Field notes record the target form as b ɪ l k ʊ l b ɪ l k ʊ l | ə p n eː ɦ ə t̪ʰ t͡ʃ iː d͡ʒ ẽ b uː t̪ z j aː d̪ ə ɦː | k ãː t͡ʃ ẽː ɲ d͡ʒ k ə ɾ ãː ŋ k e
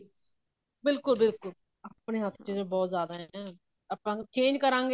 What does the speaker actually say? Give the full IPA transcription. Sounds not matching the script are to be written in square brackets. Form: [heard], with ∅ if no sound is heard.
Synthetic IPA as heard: b ɪ l k ʊ l b ɪ l k ʊ l | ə p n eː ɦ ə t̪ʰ t͡ʃ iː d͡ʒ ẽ b [ɔː] t̪ z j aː d̪ [a] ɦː | [p] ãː t͡ʃ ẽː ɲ d͡ʒ k ə ɾ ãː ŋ [ɡ] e